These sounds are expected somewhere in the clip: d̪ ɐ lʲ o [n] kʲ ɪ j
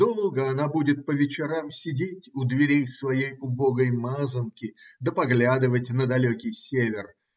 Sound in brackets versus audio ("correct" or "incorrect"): incorrect